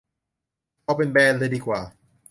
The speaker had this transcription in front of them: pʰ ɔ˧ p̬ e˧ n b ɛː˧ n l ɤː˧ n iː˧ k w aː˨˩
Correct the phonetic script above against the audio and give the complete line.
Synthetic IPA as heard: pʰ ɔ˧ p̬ e˧ n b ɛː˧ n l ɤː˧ d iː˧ k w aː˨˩